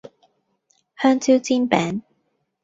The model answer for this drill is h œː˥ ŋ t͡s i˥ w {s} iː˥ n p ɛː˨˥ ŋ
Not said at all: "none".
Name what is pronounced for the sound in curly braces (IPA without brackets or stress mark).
t͡s